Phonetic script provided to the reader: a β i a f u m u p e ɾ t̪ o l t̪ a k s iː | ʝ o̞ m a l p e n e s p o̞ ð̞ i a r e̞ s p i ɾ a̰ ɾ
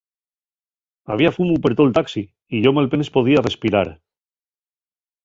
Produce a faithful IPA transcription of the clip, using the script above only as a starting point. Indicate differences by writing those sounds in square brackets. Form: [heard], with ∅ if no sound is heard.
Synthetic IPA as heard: a β i a f u m u p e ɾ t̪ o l t̪ a k s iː | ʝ o̞ m a l p e n e s p o̞ ð̞ i a r e̞ s p i ɾ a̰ ɾ